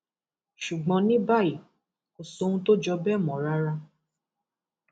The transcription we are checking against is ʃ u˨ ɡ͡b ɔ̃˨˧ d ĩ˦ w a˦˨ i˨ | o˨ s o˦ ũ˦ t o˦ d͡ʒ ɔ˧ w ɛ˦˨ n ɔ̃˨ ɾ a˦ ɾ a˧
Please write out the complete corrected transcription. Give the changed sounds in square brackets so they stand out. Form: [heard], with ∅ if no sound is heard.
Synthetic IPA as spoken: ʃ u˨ ɡ͡b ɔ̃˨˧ [n] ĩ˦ [b] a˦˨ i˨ | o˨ s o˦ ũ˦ t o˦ d͡ʒ ɔ˧ [b] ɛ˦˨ [m] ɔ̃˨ ɾ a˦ ɾ a˧